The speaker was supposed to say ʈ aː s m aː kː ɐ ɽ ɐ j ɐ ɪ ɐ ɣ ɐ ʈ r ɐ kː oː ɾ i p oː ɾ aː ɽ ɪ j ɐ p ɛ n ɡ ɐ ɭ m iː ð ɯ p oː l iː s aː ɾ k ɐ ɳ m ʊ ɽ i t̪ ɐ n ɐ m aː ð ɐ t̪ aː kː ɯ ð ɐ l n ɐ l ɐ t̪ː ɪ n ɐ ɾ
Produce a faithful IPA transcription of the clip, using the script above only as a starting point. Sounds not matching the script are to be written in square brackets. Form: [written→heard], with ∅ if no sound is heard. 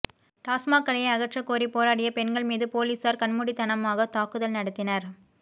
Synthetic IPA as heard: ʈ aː s m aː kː ɐ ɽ ɐ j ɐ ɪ ɐ ɣ ɐ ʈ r ɐ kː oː ɾ i p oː ɾ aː ɽ ɪ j ɐ p ɛ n ɡ ɐ ɭ m iː ð ɯ p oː l iː s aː ɾ k ɐ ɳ m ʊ ɽ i t̪ ɐ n ɐ m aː [ð→ɣ] ɐ t̪ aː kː ɯ ð ɐ l n ɐ [l→ɽ] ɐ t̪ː ɪ n ɐ ɾ